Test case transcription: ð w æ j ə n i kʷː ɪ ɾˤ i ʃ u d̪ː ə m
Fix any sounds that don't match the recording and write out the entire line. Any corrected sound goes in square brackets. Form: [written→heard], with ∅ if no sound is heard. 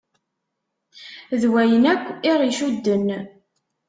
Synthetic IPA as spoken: ð w æ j ə n [i→æ] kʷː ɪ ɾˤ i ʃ u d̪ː ə [m→n]